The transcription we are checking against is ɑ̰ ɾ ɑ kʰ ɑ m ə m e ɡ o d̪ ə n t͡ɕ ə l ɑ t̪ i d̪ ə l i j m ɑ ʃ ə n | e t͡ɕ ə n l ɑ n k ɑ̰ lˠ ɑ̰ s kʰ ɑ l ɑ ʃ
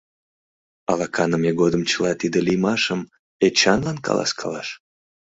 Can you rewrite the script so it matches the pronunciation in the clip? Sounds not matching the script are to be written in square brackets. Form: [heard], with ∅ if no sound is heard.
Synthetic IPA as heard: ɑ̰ [l] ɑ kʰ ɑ [n] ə m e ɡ o d̪ ə [m] t͡ɕ ə l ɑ t̪ i d̪ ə l i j m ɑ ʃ ə [m] | e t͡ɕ [ɑ] n l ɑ n k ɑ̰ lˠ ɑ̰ s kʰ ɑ l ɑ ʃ